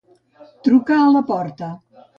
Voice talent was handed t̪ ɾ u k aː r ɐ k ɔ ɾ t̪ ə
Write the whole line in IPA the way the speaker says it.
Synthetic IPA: t̪ ɾ u k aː l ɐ p ɔ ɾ t̪ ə